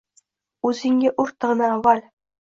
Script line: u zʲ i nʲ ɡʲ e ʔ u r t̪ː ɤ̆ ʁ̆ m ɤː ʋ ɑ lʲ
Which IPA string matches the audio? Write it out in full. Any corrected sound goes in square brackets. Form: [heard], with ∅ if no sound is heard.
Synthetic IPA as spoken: u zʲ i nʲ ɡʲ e ʔ u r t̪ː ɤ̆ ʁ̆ [n] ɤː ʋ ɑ lʲ